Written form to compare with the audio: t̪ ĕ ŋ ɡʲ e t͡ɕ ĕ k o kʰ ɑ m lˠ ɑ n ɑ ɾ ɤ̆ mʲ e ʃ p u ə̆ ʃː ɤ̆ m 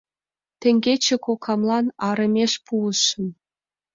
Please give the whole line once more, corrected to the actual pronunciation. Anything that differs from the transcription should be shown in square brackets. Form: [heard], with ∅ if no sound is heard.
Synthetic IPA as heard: t̪ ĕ ŋ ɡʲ e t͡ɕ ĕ k o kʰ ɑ m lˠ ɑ n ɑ ɾ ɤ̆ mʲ e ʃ p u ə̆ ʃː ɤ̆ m